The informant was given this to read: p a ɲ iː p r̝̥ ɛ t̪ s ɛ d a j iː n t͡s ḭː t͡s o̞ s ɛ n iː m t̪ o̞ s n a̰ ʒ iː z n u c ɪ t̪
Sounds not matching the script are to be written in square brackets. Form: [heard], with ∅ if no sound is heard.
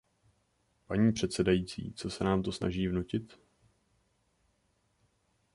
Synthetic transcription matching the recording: p a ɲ iː p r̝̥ ɛ t̪ s ɛ d a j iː [∅] t͡s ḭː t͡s o̞ s ɛ n [aː] m t̪ o̞ s n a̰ ʒ iː [v] n u c ɪ t̪